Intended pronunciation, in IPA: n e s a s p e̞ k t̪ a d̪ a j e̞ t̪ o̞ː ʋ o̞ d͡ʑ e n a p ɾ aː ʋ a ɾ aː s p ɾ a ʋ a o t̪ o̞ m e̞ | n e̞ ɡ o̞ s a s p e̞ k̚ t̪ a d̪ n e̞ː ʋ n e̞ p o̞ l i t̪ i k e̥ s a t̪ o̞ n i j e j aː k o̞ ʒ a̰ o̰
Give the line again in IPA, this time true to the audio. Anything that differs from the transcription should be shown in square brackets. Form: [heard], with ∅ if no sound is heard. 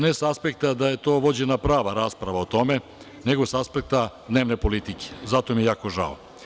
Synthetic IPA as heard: n e s a s p e̞ k t̪ a d̪ a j e̞ t̪ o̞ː ʋ o̞ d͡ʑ e n a p ɾ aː ʋ a ɾ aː s p ɾ a ʋ a o t̪ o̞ m e̞ | n e̞ ɡ o̞ s a s p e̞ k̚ t̪ a d̪ n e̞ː ʋ n e̞ p o̞ l i t̪ i k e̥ [z] a t̪ o̞ [m] i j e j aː k o̞ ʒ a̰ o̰